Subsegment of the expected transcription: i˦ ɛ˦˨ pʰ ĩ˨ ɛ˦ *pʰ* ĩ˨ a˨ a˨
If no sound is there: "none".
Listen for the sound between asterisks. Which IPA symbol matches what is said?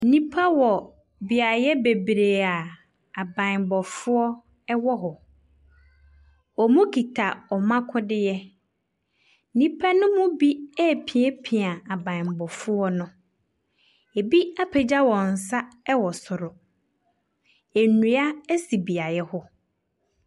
pʰ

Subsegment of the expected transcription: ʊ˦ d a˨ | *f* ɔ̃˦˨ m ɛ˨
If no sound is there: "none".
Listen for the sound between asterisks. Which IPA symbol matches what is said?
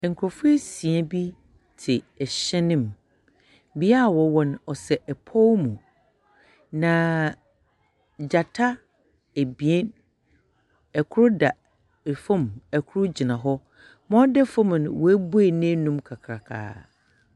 f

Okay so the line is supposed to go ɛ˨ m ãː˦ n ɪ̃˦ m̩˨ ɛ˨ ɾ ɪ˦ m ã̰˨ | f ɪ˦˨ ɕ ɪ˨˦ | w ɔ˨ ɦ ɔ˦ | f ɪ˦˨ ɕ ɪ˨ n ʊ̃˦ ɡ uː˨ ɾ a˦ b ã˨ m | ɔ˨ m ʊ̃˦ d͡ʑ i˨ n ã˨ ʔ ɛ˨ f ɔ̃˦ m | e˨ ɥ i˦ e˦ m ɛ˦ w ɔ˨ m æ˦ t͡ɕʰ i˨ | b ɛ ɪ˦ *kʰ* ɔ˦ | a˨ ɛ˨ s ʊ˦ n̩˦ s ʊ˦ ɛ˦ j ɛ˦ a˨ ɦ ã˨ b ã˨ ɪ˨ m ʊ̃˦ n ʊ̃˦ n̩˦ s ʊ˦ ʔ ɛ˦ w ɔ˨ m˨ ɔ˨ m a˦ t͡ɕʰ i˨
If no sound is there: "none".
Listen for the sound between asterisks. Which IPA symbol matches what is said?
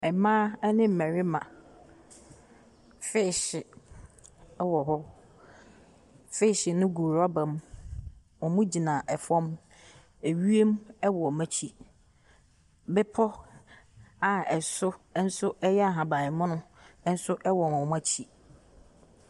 pʰ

